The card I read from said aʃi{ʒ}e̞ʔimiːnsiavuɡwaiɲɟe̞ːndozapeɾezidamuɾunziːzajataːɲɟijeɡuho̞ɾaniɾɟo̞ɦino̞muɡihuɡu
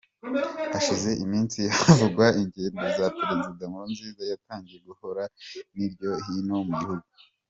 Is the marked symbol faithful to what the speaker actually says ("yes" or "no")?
no